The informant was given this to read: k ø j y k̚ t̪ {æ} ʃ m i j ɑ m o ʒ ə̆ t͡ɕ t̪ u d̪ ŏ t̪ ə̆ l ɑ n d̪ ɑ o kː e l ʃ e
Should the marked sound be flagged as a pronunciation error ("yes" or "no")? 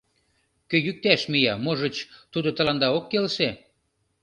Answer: no